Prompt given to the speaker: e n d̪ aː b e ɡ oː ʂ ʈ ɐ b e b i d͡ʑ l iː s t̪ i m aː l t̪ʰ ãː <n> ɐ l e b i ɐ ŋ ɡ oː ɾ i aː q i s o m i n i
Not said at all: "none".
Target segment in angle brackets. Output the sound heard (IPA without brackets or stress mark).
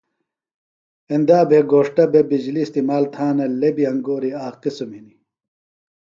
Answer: n